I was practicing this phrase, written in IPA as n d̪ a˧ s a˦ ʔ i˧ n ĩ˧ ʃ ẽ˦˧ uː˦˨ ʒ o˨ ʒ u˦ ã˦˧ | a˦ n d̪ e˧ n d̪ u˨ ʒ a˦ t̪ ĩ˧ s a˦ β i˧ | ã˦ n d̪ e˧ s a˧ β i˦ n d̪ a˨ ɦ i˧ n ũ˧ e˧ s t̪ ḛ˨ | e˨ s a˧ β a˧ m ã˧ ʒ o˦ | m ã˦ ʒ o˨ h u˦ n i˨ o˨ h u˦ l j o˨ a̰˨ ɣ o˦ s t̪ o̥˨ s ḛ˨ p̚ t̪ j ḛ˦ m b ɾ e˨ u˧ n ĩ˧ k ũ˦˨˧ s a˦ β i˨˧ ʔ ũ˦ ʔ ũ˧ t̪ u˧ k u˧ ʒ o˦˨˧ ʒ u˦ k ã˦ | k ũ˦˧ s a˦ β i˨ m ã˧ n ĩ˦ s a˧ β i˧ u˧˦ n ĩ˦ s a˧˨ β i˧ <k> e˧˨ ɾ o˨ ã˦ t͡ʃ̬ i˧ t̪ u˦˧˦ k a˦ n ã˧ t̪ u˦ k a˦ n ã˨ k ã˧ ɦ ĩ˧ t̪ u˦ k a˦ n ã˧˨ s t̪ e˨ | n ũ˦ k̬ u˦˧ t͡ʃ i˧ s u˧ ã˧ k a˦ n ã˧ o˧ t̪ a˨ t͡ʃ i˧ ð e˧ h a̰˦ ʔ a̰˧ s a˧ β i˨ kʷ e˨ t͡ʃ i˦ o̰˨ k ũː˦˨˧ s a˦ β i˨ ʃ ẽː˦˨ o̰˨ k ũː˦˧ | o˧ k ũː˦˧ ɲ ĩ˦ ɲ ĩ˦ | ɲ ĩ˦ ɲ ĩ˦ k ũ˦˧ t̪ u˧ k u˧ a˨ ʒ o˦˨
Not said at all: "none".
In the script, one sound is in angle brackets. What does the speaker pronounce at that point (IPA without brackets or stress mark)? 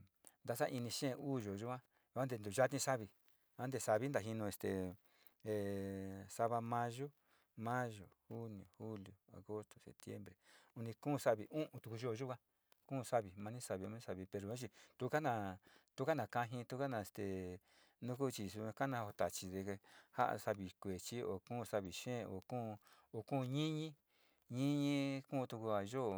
p